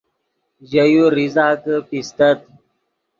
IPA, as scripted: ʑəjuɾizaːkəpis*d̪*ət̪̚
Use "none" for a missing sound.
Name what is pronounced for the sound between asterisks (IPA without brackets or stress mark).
t̪